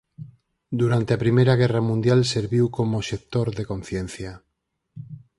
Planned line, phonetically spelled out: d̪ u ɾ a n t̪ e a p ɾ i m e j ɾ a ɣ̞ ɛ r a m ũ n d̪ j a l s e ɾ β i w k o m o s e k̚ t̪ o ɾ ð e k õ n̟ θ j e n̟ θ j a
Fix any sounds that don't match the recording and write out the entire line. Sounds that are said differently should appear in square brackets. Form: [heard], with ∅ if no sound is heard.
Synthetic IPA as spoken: d̪ u ɾ a n t̪ e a p ɾ i m e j ɾ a ɣ̞ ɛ r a m ũ n d̪ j a l s e ɾ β i w k o m o [ʃ] e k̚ t̪ o ɾ ð e k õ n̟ θ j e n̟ θ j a